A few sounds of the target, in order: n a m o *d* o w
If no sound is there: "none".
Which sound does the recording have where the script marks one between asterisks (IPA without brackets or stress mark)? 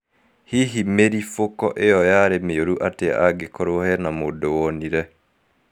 d